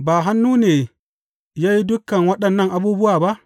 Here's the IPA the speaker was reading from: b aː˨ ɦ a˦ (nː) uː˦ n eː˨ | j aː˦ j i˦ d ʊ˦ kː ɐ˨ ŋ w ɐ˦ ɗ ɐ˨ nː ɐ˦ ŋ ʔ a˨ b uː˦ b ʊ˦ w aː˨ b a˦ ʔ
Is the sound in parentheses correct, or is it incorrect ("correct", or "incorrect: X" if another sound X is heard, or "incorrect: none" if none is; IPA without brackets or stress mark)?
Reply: correct